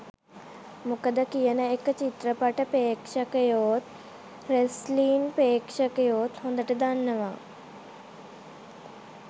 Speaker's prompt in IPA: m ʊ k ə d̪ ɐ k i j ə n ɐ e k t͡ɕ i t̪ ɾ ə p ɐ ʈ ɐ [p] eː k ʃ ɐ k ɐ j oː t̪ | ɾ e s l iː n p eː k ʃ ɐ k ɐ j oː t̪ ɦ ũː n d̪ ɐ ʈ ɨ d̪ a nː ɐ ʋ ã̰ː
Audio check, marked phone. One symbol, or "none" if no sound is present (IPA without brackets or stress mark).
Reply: p